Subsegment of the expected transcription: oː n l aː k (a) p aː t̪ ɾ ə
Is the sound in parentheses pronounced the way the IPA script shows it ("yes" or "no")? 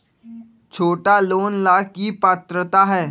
no